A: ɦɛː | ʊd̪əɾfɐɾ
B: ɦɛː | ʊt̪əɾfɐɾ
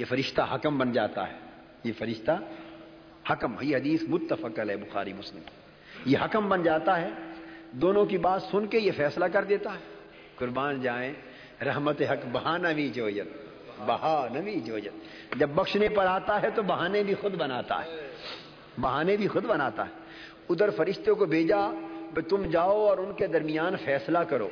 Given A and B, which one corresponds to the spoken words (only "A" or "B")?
A